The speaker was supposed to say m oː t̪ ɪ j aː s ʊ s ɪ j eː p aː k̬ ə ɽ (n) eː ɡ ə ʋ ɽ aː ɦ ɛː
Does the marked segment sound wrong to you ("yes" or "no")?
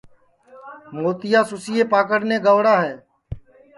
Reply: no